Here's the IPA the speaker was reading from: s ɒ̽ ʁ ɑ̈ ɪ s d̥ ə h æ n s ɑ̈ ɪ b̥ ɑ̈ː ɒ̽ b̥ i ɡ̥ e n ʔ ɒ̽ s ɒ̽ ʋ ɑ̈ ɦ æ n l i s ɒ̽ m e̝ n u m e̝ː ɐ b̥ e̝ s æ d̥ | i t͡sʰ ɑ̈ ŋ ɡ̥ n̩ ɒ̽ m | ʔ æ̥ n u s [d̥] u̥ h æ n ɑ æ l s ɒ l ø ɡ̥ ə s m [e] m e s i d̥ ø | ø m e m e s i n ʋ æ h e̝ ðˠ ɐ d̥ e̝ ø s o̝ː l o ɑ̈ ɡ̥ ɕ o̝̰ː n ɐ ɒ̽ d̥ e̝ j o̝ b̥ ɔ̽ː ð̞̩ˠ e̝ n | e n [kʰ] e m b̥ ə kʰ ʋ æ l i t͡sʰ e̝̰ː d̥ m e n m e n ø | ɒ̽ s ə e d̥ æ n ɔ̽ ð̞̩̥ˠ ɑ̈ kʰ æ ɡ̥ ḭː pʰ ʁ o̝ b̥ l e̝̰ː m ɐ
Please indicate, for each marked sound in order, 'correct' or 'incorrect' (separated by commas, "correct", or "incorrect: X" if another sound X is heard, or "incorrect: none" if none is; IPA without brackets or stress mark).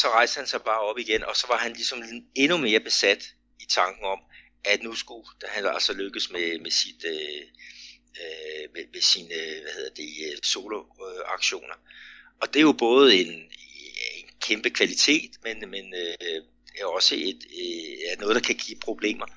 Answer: incorrect: ɡ̥, correct, correct